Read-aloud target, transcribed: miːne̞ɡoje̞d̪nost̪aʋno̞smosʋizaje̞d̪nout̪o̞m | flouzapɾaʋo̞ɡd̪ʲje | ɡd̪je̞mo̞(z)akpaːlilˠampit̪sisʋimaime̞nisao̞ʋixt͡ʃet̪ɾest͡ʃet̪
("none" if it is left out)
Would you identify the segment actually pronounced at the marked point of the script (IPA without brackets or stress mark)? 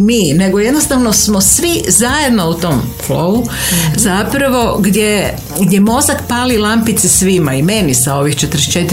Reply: z